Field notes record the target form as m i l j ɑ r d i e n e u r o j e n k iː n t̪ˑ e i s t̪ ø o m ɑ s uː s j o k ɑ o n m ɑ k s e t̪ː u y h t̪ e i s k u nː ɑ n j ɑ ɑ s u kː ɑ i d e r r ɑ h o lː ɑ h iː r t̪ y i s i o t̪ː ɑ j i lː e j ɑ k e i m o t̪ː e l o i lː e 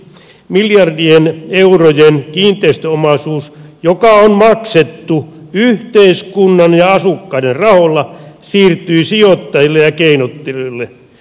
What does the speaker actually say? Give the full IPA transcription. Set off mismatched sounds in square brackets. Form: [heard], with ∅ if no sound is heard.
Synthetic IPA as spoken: m i l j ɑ r d i e n e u r o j e n k iː n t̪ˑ e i s t̪ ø o m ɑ s uː s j o k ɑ o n m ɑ k s e t̪ː u y h t̪ e i s k u nː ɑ n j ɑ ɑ s u kː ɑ i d e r r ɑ h o lː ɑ [s] iː r t̪ y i s i o t̪ː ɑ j i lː e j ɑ k e i [n] o t̪ː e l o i lː e